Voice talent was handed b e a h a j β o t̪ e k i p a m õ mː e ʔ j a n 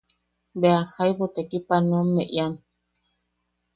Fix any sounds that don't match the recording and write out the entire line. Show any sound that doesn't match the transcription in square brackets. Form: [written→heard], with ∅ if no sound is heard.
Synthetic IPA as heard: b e a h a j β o t̪ e k i p a [m→n] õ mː e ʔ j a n